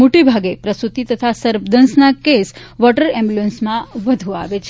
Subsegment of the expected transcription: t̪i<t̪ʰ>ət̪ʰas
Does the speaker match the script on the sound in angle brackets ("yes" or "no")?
no